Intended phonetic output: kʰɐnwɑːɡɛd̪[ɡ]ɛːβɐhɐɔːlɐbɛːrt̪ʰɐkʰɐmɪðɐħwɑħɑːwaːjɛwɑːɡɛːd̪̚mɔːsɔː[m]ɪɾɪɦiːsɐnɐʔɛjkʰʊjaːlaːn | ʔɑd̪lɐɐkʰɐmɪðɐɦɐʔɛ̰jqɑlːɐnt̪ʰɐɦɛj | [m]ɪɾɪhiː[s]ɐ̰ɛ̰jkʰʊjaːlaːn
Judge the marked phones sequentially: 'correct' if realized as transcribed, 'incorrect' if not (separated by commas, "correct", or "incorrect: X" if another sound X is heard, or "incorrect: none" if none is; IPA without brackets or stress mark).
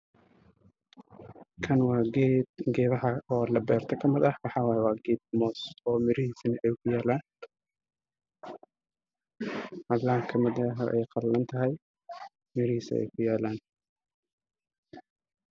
correct, correct, correct, correct